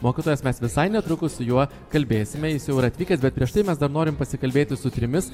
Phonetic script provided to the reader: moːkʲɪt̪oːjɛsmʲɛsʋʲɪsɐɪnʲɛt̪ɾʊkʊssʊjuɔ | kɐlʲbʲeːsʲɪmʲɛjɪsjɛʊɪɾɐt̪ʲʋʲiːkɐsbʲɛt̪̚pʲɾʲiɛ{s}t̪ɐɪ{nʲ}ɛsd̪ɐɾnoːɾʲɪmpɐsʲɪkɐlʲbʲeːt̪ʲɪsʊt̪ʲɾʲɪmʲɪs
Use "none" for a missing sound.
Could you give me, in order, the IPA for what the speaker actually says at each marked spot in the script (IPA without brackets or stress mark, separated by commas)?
ʃ, mʲ